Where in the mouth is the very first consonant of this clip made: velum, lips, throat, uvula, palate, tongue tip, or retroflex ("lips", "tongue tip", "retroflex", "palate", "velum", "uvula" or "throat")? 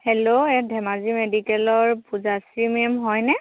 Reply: throat